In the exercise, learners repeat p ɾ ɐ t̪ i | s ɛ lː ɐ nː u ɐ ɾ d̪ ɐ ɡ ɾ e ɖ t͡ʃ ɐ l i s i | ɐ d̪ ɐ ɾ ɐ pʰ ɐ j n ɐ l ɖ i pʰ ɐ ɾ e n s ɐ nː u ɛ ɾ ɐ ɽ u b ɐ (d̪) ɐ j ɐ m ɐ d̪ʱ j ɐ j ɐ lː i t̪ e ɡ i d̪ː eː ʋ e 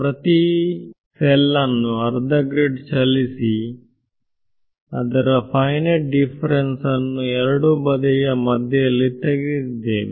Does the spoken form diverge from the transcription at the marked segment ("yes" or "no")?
no